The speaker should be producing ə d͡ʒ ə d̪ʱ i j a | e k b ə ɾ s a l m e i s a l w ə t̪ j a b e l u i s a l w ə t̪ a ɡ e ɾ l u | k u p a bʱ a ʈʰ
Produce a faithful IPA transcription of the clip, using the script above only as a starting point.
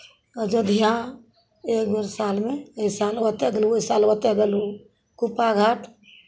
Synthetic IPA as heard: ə d͡ʒ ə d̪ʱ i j a | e k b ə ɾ s a l m e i s a l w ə t̪ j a ɡ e l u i s a l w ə t̪ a ɡ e l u | k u p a ɡʱ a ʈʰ

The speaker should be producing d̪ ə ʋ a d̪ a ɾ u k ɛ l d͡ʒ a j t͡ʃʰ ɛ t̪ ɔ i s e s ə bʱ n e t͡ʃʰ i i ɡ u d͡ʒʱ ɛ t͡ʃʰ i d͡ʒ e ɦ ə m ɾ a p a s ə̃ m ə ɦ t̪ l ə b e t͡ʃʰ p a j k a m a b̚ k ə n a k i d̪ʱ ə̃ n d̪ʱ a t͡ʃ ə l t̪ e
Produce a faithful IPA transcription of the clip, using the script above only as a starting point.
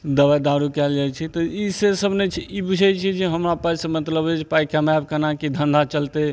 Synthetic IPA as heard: d̪ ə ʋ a d̪ a ɾ u k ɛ l d͡ʒ a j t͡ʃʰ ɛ t̪ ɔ i s e s ə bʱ n e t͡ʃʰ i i b u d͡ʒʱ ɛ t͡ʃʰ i d͡ʒ e ɦ ə m ɾ a p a s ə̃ m ə t̪ l ə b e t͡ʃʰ p a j k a m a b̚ k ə n a k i d̪ʱ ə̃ n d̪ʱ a t͡ʃ ə l t̪ e

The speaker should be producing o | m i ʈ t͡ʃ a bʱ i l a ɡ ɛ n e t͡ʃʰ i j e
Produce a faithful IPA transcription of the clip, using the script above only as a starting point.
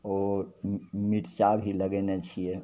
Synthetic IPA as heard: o | m i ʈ t͡ʃ a bʱ i l ə ɡ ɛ n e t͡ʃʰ i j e

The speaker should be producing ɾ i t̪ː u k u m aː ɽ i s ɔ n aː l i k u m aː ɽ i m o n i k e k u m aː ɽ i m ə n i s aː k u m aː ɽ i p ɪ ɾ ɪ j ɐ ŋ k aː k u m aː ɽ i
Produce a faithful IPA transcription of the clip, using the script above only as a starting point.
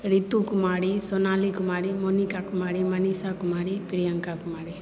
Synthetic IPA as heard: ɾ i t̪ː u k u m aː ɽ i s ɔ n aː l i k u m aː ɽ i m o n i k a k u m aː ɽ i m ɐ n i s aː k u m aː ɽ i p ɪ ɾ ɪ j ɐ ŋ k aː k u m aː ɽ i

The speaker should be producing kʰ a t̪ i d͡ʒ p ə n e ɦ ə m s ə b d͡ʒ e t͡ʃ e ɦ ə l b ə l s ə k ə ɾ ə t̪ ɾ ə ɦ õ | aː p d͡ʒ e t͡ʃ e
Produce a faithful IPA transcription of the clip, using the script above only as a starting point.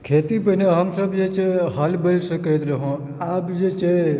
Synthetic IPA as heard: kʰ e t̪ i p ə n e ɦ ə m s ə b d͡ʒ e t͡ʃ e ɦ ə l b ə l s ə k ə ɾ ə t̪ ɾ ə ɦ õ | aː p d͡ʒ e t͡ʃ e

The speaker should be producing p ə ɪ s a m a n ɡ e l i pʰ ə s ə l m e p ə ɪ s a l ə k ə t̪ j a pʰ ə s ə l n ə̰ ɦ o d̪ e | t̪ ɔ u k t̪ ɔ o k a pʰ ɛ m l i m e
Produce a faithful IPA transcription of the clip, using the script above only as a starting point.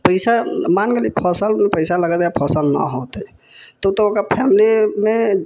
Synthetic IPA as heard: p ə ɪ s a m a n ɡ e l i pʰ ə s ə l m e p ə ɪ s a l ə ɡ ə t̪ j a pʰ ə s ə l n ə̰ ɦ o t̪ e | t̪ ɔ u t̪ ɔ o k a pʰ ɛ m l i m e

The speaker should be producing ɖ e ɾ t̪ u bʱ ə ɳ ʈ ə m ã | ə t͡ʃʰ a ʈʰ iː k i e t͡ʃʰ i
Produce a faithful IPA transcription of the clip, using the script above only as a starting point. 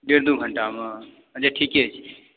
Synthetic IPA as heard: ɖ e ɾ d̪ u ɡʱ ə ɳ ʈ a m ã | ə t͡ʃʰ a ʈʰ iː k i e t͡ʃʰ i

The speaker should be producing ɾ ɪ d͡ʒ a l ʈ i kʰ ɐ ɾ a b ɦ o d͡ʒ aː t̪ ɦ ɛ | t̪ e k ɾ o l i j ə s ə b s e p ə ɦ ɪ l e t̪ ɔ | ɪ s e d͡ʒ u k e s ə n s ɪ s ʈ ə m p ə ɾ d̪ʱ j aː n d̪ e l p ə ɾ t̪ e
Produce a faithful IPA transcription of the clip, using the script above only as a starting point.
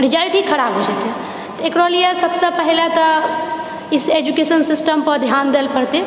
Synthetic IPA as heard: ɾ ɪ d͡ʒ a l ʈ i kʰ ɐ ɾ a b ɦ o d͡ʒ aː t̪ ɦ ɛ | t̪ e k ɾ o l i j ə s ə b s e p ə ɦ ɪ l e t̪ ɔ | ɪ s e d͡ʒ u k e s ə n s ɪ s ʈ ə m p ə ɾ d̪ʱ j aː n d̪ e l p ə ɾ t̪ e

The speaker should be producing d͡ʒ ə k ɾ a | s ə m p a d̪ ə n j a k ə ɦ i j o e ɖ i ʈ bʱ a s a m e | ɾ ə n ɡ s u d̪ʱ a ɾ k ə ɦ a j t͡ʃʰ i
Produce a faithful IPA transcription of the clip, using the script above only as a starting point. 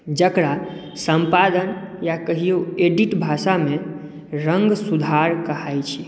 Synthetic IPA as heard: d͡ʒ ə k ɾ a | s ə m p a d̪ ə n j a k ə ɦ i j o e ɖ i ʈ bʱ a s a m e | ɾ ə ŋ ɡ s u d̪ʱ a ɾ k ə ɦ a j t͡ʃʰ i

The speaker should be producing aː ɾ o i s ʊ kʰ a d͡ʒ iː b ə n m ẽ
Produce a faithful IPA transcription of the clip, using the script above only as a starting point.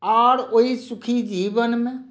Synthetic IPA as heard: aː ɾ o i s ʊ kʰ i d͡ʒ iː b ə n m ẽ

